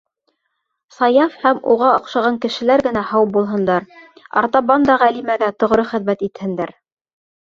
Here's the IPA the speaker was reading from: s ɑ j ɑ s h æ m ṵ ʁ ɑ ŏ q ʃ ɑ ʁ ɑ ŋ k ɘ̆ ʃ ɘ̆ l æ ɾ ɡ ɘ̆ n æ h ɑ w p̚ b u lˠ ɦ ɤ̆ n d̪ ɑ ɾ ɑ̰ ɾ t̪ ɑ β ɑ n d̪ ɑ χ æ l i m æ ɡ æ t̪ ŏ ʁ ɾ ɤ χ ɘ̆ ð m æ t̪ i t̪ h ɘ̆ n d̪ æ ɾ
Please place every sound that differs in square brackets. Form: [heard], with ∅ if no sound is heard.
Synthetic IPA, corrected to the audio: s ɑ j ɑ [f] h æ m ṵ ʁ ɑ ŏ q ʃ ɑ ʁ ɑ ŋ k ɘ̆ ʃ ɘ̆ l æ ɾ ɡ ɘ̆ n æ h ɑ w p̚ b u lˠ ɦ ɤ̆ n d̪ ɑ ɾ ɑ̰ ɾ t̪ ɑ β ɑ n d̪ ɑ [ʁ] æ l i m æ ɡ æ t̪ ŏ ʁ ɾ ɤ χ ɘ̆ ð m æ t̪ i t̪ h ɘ̆ n d̪ æ ɾ